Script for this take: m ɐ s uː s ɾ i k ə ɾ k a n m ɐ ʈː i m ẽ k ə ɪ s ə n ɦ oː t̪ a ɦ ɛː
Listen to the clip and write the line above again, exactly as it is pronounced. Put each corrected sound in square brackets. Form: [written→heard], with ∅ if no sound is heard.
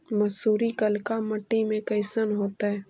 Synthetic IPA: m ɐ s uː [s→∅] ɾ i k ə [ɾ→l] k a [n→∅] m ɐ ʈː i m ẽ k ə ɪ s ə n ɦ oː t̪ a ɦ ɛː